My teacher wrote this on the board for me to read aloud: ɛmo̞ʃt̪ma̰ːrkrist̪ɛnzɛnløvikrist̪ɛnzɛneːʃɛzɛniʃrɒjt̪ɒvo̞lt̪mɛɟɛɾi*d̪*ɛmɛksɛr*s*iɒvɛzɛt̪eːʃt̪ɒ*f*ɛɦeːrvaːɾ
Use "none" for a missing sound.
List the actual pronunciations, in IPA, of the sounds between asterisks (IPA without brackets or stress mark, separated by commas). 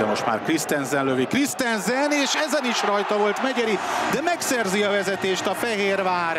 d̪, z, f